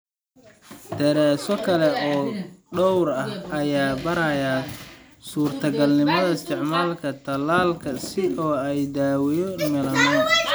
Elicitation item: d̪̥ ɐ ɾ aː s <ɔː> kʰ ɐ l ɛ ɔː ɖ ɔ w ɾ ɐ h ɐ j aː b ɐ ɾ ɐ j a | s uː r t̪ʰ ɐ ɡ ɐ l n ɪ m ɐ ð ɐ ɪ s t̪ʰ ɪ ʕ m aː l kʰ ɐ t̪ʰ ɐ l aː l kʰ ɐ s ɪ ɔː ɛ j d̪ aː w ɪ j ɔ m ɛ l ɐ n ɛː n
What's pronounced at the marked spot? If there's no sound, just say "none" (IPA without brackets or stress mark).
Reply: ɔ